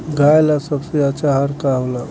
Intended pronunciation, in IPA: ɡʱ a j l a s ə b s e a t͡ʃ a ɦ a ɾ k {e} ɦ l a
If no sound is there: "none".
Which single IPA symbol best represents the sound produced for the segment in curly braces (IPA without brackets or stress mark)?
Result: a